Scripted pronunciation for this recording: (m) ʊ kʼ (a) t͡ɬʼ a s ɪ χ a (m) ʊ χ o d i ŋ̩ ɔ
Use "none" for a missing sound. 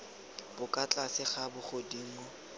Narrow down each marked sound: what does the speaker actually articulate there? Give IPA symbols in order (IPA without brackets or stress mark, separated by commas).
b, a, b